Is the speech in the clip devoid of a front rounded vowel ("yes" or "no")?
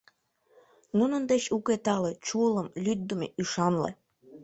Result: no